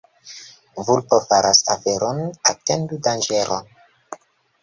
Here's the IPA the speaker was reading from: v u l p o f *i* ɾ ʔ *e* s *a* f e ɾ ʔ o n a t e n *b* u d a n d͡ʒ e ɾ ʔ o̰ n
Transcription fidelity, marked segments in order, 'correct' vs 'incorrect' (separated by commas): incorrect, incorrect, correct, incorrect